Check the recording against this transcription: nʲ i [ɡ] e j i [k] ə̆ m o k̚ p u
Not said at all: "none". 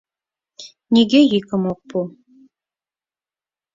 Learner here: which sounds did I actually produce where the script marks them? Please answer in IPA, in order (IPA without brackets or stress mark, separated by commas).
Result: ɡ, k